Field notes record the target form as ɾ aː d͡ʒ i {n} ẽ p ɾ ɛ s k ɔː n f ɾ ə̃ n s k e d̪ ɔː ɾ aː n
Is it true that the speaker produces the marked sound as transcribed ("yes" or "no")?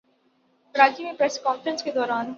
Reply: no